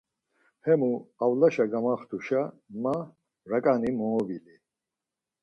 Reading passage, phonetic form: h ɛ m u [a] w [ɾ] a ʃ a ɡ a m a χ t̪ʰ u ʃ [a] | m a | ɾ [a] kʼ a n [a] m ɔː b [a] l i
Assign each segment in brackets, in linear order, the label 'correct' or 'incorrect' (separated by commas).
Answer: correct, incorrect, correct, correct, incorrect, incorrect